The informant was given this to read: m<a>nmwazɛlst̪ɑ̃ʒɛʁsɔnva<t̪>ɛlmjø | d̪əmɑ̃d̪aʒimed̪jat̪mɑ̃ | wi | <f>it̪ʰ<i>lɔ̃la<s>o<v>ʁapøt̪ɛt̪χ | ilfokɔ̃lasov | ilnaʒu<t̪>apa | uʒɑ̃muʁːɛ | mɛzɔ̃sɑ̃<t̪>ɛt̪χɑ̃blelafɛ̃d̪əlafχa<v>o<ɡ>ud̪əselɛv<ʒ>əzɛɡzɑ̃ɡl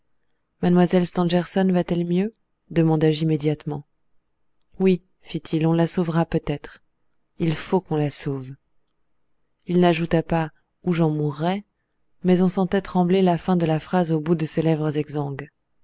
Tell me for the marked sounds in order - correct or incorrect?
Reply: correct, correct, correct, correct, correct, correct, correct, correct, incorrect, incorrect, incorrect

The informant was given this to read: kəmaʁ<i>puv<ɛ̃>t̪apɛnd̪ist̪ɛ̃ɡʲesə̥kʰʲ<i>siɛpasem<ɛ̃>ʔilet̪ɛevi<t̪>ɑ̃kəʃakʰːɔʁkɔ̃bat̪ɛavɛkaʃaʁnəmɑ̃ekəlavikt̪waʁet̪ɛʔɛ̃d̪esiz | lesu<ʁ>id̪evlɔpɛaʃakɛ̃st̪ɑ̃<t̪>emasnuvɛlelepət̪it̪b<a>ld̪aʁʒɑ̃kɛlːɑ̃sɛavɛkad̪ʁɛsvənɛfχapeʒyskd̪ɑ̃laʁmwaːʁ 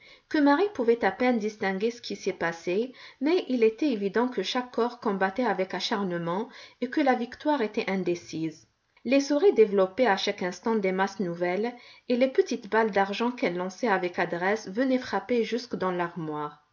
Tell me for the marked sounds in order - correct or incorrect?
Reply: correct, incorrect, correct, incorrect, incorrect, correct, incorrect, correct

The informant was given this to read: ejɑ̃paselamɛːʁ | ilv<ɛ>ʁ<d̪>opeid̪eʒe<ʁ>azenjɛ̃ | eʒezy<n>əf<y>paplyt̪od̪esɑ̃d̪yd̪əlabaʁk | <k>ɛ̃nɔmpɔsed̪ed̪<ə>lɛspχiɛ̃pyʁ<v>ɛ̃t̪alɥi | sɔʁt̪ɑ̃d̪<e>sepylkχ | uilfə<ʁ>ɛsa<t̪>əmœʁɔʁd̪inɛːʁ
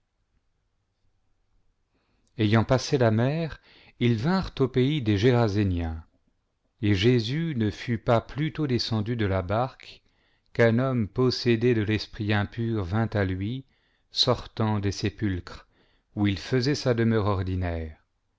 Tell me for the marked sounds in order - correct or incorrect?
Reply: incorrect, incorrect, correct, correct, correct, correct, correct, correct, correct, incorrect, incorrect

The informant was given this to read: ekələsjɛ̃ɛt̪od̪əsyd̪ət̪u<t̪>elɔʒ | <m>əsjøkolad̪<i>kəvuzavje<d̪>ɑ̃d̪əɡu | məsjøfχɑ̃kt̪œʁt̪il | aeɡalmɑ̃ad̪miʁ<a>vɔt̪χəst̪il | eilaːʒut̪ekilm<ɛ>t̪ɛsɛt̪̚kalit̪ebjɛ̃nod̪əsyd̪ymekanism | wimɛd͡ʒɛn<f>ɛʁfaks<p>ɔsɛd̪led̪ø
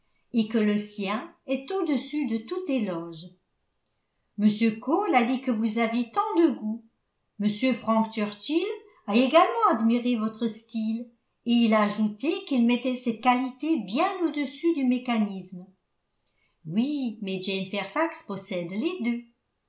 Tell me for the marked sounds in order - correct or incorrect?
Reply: correct, correct, correct, incorrect, incorrect, correct, correct, correct

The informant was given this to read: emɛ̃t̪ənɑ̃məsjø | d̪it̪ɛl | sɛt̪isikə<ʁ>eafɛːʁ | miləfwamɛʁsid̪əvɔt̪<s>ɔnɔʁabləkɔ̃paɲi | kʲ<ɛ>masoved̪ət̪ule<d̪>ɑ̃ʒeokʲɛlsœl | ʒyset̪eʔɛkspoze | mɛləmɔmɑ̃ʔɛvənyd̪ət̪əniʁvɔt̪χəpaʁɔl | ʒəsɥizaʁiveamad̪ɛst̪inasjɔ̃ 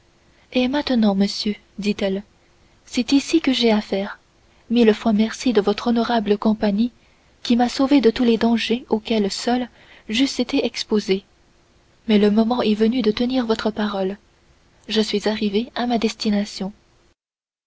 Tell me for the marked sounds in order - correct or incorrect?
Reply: incorrect, incorrect, incorrect, correct

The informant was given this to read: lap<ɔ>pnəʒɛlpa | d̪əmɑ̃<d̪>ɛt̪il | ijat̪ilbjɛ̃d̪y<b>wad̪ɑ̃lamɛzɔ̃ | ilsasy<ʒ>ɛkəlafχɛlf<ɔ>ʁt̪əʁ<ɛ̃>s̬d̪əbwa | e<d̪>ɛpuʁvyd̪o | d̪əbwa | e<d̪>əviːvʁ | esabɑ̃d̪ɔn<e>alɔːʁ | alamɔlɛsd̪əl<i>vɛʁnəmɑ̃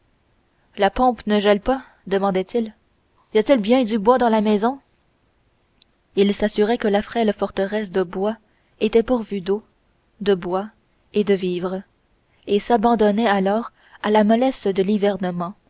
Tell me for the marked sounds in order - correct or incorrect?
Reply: incorrect, correct, correct, incorrect, correct, incorrect, incorrect, correct, incorrect, correct

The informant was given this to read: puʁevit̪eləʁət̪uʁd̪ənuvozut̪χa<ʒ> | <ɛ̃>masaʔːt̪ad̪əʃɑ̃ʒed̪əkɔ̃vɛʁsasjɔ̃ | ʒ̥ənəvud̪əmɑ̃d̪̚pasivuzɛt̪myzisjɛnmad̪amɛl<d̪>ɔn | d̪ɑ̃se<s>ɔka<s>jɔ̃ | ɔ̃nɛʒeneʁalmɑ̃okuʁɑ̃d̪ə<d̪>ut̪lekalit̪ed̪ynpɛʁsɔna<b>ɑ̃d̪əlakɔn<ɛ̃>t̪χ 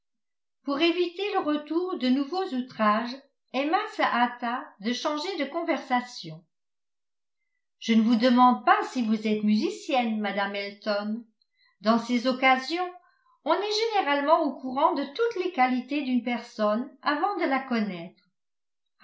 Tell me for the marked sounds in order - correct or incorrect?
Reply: correct, incorrect, incorrect, incorrect, incorrect, incorrect, incorrect, incorrect

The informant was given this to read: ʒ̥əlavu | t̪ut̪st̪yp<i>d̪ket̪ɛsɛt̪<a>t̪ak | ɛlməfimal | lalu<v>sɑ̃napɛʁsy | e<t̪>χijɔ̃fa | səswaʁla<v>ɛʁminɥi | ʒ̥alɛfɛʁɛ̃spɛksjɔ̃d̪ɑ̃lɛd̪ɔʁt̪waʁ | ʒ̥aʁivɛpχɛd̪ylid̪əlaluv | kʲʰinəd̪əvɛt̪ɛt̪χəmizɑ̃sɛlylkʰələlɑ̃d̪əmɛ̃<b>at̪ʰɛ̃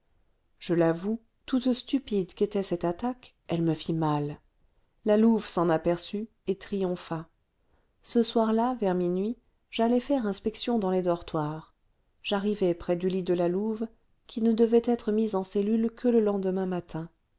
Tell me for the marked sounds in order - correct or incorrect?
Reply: correct, correct, correct, correct, correct, incorrect

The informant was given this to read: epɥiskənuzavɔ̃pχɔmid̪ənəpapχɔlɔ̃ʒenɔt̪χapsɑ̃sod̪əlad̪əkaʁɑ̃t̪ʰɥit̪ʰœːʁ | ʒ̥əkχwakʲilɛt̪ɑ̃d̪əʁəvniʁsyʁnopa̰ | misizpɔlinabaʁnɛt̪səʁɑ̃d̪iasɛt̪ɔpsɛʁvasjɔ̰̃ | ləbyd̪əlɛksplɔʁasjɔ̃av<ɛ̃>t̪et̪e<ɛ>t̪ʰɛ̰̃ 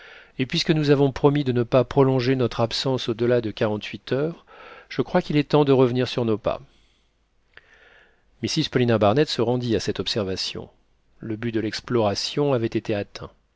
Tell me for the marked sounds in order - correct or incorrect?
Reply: incorrect, incorrect

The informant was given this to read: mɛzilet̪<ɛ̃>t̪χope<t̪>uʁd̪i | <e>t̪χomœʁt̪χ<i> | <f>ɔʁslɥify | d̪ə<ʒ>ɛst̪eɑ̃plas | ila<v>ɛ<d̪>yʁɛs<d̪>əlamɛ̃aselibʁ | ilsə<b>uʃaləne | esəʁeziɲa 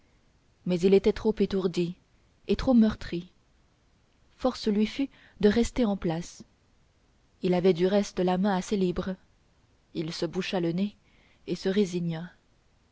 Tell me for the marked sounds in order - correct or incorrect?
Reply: incorrect, correct, correct, correct, correct, incorrect, correct, correct, incorrect, correct

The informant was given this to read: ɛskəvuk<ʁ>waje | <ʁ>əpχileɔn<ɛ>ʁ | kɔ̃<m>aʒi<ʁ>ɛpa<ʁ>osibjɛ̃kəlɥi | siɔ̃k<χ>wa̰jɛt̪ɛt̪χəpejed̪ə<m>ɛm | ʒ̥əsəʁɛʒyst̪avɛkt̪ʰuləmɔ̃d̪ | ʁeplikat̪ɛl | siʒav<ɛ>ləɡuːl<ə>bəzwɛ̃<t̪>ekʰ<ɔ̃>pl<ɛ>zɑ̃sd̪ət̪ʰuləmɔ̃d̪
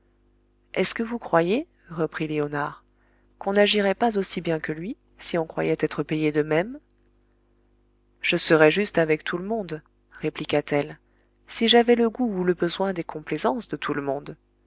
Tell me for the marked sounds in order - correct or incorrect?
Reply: incorrect, correct, incorrect, incorrect, correct, incorrect, correct, correct, correct, correct, incorrect, correct, incorrect

